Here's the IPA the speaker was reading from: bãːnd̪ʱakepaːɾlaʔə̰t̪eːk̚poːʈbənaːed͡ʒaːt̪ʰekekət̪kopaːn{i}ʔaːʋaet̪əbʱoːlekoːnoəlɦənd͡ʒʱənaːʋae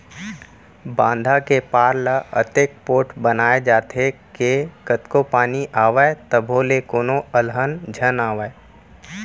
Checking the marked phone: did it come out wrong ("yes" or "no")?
no